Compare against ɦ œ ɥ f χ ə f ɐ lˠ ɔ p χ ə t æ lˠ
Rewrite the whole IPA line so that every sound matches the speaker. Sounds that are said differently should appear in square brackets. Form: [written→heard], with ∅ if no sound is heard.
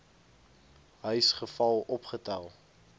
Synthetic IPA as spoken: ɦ œ ɥ [f→s] χ ə f ɐ lˠ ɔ p χ ə t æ lˠ